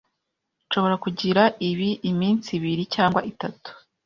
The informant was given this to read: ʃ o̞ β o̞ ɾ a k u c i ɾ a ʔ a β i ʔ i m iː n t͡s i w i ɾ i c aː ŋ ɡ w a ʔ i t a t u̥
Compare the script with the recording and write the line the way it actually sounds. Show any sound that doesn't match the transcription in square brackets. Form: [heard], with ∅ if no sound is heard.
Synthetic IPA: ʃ o̞ β o̞ ɾ a k u [ɟ] i ɾ a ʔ [i] β i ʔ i m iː n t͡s i [β] i ɾ i c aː ŋ ɡ w a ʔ i t a t u̥